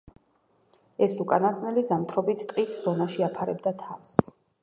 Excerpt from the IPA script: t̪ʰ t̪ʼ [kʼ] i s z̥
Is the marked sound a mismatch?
yes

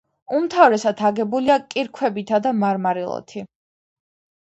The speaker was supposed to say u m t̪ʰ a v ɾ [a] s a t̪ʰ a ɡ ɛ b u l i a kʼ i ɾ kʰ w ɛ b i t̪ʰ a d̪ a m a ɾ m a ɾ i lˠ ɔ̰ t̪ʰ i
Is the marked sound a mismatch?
yes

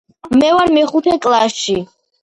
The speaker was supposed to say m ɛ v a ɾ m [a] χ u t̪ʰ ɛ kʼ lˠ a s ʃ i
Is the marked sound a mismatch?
yes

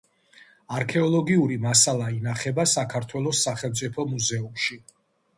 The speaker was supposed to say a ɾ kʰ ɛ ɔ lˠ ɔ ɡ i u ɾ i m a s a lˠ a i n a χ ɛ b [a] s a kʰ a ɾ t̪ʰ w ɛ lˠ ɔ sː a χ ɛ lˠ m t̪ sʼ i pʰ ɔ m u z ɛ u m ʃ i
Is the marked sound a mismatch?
no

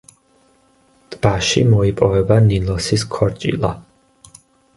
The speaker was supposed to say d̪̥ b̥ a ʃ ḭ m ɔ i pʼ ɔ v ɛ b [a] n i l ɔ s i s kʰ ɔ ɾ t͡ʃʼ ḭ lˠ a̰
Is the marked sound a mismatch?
no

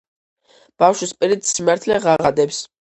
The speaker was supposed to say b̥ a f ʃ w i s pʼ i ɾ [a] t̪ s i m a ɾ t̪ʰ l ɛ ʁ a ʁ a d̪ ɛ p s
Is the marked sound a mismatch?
yes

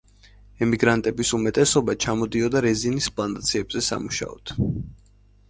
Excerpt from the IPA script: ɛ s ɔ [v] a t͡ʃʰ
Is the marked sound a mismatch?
yes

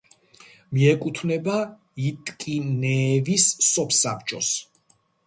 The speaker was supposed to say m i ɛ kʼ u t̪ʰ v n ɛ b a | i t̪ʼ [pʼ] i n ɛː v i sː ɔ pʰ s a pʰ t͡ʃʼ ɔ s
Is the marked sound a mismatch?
yes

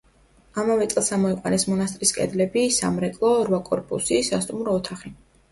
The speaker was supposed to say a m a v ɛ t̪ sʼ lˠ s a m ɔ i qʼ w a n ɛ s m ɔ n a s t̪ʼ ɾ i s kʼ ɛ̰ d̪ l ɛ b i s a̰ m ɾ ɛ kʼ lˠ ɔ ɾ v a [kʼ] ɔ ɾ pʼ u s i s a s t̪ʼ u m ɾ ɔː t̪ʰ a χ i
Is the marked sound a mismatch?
no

